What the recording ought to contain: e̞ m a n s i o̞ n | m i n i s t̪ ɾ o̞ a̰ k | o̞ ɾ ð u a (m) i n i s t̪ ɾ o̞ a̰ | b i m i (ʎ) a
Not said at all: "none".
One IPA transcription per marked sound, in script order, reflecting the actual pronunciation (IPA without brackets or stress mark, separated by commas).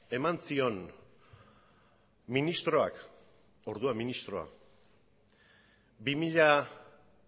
m, ʎ